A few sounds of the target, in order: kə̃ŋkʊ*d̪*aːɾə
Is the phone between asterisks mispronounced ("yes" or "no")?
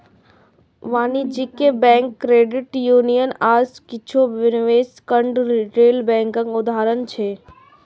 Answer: no